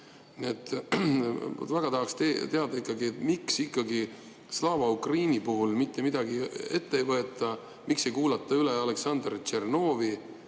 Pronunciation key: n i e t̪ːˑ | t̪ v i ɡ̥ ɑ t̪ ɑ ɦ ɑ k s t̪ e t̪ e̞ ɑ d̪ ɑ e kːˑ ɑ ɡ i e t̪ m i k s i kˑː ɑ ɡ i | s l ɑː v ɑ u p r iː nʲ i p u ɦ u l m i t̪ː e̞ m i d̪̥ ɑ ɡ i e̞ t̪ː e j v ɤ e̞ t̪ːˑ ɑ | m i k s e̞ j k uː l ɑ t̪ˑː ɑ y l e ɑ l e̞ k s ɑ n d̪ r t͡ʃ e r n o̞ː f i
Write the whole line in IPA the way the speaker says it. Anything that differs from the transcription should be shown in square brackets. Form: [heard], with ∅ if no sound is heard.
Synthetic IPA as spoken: n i e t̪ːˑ | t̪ v [æ] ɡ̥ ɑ t̪ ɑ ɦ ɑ k s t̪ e t̪ e̞ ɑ d̪ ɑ [i] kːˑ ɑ ɡ i e t̪ m i k s i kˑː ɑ ɡ i | s l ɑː v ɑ u [k] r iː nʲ i p u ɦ u l m i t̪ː e̞ m i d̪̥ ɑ ɡ i e̞ t̪ː e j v ɤ e̞ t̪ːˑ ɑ | m i k s e̞ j k uː l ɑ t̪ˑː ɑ y l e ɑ l e̞ k s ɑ n d̪ r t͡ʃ e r n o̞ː [v] i